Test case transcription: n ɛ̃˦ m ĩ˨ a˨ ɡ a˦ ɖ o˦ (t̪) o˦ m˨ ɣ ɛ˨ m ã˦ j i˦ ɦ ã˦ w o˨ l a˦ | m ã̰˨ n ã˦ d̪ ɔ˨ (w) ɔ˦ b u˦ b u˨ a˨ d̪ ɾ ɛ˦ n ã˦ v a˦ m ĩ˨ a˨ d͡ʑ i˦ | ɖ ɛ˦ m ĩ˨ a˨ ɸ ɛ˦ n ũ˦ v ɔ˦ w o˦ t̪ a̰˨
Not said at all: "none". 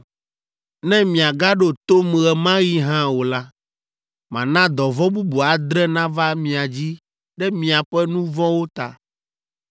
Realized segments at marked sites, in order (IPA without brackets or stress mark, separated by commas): t̪, v